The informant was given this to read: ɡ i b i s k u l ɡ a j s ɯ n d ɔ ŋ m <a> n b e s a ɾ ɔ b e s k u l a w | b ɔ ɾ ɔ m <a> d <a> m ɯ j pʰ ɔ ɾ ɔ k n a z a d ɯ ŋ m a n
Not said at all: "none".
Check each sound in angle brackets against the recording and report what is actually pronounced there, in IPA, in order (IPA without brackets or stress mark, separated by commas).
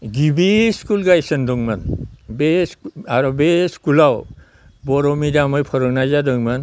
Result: a, i, a